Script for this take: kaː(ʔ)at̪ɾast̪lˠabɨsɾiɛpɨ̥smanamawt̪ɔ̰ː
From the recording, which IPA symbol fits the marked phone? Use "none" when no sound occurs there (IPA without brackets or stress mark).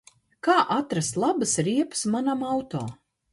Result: ʔ